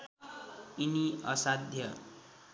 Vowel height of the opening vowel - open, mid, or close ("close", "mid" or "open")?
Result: close